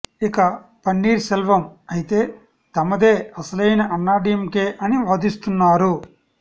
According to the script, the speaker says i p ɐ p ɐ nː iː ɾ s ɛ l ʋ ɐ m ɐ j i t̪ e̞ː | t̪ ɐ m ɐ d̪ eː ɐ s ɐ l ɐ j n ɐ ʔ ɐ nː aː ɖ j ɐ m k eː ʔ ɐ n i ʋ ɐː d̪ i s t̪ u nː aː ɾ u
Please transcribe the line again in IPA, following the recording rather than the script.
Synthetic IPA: i k ɐ p ɐ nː iː ɾ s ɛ l ʋ ɐ m ɐ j i t̪ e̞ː | t̪ ɐ m ɐ d̪ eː ɐ s ɐ l ɐ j n ɐ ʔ ɐ nː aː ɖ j ɐ m k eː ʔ ɐ n i ʋ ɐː d̪ i s t̪ u nː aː ɾ u